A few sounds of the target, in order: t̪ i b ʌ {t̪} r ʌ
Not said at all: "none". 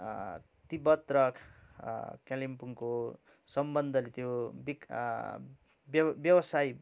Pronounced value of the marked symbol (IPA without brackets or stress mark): t̪